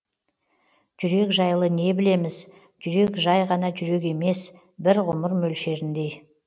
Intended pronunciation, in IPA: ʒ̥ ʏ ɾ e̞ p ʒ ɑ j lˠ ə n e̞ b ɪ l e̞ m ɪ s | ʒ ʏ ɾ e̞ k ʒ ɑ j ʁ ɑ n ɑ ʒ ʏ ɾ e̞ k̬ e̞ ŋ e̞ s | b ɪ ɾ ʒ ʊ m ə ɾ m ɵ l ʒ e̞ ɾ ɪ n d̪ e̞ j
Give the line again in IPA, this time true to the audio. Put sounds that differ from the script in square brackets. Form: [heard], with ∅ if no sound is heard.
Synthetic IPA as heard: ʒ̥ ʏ ɾ e̞ [k] ʒ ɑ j lˠ ə n e̞ b ɪ l e̞ m ɪ [z] | ʒ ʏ ɾ e̞ k ʒ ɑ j ʁ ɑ n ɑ ʒ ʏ ɾ e̞ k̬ e̞ [m] e̞ s | b ɪ ɾ [ʁ] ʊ m ə ɾ m ɵ l [ʃ] e̞ ɾ ɪ n d̪ e̞ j